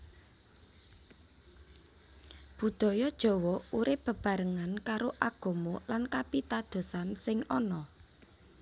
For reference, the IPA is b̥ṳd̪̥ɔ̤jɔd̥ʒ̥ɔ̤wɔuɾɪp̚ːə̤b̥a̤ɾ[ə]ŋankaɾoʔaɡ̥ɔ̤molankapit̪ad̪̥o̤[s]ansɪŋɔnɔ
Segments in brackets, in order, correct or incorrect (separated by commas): correct, correct